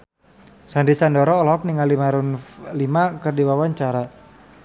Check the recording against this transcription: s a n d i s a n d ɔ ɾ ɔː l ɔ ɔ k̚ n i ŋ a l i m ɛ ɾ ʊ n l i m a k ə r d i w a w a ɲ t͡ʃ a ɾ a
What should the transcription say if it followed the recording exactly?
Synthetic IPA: s a n d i s a n d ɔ ɾ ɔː l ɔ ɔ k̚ n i ŋ a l i m a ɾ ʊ n l i m a k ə r d i w a w a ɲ t͡ʃ a ɾ a